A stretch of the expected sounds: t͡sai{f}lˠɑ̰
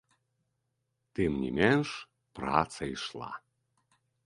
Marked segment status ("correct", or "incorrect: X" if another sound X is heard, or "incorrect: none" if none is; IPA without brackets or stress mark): incorrect: ʃ